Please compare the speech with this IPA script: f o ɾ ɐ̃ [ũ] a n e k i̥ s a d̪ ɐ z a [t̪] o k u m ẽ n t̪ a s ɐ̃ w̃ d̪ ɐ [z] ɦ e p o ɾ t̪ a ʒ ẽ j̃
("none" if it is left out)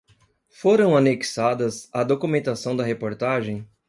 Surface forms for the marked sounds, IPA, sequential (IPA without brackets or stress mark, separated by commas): w̃, d̪, none